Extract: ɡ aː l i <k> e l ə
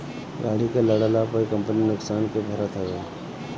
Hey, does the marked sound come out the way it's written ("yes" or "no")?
yes